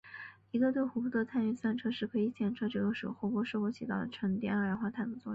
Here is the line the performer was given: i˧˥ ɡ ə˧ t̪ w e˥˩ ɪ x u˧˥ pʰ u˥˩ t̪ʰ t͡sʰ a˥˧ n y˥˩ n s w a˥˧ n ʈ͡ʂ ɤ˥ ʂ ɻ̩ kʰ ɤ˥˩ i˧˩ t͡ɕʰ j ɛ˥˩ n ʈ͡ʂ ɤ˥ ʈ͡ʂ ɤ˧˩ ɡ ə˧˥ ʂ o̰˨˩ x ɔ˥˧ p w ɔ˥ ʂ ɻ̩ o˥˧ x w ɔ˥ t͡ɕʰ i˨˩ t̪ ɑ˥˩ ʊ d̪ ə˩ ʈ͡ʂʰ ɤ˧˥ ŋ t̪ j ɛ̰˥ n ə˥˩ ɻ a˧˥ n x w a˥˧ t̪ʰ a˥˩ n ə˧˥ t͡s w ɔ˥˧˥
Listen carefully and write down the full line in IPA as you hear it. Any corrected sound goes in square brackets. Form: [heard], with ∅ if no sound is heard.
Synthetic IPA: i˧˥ ɡ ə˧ t̪ w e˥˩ ɪ x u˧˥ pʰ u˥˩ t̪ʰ t͡sʰ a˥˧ n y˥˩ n s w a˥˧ n [ʈ͡ʂʰ] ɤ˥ ʂ ɻ̩ kʰ [ɤ˧˥] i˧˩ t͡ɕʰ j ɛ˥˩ n [ʈ͡ʂʰ] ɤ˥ ʈ͡ʂ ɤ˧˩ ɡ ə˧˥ ʂ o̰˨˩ x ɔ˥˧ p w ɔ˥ ʂ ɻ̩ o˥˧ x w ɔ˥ t͡ɕʰ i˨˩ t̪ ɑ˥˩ ʊ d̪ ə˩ ʈ͡ʂʰ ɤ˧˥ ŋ t̪ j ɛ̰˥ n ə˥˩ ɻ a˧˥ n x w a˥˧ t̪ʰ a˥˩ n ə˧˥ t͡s w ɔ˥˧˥

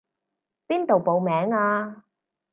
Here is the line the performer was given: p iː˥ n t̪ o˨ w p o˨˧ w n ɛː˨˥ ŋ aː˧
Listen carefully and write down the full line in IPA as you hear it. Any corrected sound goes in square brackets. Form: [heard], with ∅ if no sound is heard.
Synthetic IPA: p iː˥ n t̪ o˨ w p o˨˧ w [m] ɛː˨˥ ŋ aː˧

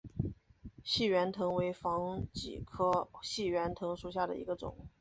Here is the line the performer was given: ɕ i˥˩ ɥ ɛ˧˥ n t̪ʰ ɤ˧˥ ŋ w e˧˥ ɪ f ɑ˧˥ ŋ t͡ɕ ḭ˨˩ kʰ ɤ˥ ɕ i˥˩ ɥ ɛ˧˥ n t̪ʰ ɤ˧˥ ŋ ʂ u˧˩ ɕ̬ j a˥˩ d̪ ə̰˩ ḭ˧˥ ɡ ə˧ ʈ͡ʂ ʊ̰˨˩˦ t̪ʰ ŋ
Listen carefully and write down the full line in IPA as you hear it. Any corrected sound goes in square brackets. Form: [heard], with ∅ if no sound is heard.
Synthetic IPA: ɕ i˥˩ ɥ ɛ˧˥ n t̪ʰ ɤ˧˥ ŋ w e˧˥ ɪ f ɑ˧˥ ŋ t͡ɕ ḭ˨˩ kʰ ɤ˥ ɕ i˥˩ ɥ ɛ˧˥ n t̪ʰ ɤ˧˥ ŋ ʂ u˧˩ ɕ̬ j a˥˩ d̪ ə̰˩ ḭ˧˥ ɡ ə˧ ʈ͡ʂ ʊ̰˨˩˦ [∅] ŋ

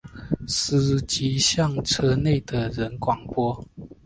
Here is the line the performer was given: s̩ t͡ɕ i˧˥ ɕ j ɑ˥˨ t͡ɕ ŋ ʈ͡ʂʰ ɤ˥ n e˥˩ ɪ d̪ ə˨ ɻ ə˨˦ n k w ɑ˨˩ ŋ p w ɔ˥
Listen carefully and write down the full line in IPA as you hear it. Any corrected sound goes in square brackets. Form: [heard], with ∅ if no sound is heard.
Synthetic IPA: s̩ t͡ɕ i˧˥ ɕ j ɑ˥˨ [∅] ŋ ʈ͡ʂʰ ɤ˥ n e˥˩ ɪ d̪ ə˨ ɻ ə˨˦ n k w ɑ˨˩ ŋ p w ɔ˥

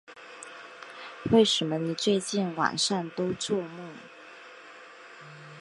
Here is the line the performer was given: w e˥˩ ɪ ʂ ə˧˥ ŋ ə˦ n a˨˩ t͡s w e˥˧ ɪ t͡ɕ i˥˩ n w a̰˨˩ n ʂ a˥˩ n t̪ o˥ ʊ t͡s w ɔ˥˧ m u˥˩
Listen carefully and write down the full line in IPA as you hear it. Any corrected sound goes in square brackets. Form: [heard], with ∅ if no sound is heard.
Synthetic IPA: w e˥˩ ɪ ʂ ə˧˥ [m] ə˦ n [i˨˩] t͡s w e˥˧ ɪ t͡ɕ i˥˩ n w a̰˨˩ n ʂ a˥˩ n t̪ o˥ ʊ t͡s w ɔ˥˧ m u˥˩

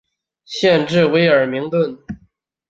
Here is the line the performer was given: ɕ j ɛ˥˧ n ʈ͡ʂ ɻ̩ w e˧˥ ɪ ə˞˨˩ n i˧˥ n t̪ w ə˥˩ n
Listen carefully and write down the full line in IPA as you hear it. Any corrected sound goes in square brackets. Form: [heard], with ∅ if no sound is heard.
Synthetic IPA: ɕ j ɛ˥˧ n ʈ͡ʂ ɻ̩ w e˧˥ ɪ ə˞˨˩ [m] i˧˥ [ŋ] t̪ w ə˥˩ n

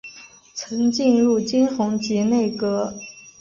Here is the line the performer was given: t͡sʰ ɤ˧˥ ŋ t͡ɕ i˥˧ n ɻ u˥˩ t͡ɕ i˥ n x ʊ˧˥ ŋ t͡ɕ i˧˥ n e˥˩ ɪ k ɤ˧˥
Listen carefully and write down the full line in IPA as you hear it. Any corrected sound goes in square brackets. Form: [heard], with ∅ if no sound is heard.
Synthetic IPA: t͡sʰ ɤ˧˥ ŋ t͡ɕ i˥˧ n ɻ u˥˩ t͡ɕ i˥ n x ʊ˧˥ ŋ t͡ɕ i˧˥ n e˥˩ ɪ k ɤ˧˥

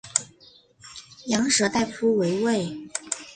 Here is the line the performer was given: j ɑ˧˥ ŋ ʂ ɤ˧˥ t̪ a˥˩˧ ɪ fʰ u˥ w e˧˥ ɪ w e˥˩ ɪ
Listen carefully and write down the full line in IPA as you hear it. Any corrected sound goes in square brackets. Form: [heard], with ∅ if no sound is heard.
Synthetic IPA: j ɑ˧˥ ŋ ʂ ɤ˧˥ t̪ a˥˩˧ ɪ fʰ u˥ w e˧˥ ɪ w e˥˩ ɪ

